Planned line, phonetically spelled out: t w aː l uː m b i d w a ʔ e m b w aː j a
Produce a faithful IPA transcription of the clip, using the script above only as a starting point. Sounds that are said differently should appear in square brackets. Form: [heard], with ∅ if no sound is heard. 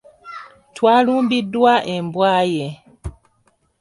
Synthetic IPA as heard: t w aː l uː m b i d w a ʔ e m b w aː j [e]